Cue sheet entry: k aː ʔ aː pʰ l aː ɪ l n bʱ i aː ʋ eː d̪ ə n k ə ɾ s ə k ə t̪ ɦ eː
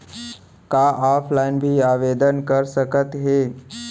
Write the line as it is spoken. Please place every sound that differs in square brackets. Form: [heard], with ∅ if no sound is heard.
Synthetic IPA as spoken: k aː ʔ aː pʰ l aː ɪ [∅] n bʱ i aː ʋ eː d̪ ə n k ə ɾ s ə k ə t̪ ɦ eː